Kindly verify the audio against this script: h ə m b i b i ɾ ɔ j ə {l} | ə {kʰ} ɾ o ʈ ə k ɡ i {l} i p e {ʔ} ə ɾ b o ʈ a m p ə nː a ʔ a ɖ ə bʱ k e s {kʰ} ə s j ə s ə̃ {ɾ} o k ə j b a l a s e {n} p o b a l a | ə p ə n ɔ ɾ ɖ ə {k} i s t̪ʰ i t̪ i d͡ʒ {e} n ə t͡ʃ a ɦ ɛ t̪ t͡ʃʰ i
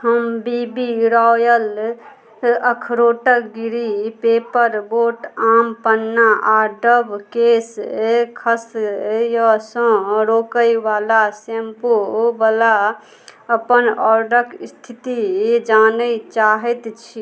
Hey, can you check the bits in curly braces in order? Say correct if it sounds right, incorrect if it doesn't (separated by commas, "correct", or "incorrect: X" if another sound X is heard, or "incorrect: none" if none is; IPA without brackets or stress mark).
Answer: correct, correct, incorrect: ɾ, incorrect: p, correct, correct, incorrect: m, correct, incorrect: a